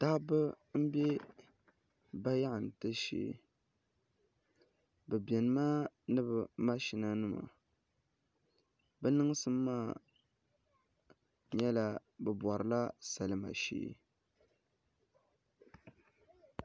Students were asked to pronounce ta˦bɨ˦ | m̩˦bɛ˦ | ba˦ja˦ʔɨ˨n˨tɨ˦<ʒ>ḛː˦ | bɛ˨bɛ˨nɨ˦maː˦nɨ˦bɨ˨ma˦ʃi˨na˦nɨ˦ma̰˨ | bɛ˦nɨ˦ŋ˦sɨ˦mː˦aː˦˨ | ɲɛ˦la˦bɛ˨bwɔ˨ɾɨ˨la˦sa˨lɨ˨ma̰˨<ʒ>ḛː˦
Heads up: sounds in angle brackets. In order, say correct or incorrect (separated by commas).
incorrect, incorrect